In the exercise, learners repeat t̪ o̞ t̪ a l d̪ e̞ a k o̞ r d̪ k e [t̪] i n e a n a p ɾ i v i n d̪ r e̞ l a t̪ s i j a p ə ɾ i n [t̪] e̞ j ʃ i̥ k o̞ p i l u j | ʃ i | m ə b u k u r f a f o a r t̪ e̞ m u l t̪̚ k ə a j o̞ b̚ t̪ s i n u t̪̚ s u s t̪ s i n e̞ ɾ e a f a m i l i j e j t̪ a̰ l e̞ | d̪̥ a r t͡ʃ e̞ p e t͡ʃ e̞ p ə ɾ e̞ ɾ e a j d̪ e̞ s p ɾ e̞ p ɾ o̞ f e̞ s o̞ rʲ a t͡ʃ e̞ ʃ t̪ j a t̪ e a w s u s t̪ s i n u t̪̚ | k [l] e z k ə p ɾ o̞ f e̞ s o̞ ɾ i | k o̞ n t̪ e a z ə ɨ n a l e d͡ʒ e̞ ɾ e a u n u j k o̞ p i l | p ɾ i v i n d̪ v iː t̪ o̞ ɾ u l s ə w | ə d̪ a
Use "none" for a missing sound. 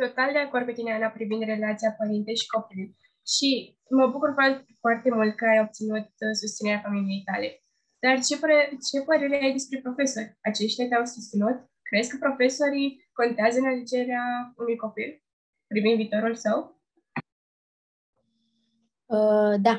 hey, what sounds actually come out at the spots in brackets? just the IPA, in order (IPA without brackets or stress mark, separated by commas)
t̪, t̪, ɾ